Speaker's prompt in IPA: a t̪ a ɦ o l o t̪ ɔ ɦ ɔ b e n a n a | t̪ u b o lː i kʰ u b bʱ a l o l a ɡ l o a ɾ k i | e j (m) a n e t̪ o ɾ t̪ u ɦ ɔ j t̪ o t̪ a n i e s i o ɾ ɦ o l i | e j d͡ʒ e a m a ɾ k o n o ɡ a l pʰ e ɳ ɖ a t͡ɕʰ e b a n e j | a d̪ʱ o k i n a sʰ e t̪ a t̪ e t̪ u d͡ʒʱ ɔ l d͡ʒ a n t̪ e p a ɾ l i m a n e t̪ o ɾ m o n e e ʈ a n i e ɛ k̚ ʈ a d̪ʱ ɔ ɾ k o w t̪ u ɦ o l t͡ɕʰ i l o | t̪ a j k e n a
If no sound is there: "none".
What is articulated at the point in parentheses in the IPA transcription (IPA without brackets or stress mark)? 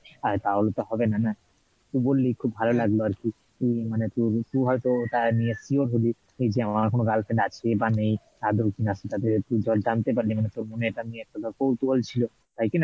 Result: m